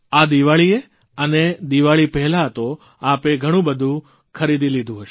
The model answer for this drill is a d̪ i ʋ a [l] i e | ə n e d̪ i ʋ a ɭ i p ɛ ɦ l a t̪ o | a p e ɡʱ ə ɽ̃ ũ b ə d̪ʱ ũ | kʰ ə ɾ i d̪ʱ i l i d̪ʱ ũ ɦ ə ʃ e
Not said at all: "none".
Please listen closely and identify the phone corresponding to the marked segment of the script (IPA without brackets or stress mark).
ɭ